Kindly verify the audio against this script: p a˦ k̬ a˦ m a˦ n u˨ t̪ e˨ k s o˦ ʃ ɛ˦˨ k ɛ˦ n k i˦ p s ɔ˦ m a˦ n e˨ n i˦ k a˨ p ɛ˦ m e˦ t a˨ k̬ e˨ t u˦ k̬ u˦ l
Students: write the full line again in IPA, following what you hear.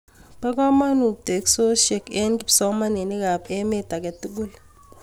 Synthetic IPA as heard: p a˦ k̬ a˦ m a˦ n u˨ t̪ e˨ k s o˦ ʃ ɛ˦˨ k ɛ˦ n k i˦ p s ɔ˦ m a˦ n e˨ n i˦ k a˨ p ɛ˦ m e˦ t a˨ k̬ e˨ t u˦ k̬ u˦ l